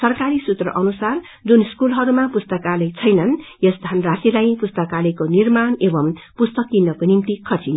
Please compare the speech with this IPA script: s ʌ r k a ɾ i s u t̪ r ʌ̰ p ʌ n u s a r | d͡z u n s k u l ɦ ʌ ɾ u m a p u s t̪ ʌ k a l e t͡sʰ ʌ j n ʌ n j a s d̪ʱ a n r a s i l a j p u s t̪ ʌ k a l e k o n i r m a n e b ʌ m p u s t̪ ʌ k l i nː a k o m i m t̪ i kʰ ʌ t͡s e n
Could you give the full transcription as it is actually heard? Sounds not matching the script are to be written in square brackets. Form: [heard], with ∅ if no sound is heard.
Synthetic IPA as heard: s ʌ r k a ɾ i s u t̪ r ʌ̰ [ʔ] ʌ n u s a r | d͡z u n s k u l ɦ ʌ ɾ u m a p u s t̪ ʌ k a l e t͡sʰ ʌ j n ʌ n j [ʌ] s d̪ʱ a n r a s i l a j p u s t̪ ʌ k a l e k o n i r m a n e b ʌ m p u s t̪ ʌ k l i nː [ʌ] k o [n] i m t̪ i kʰ ʌ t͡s [i] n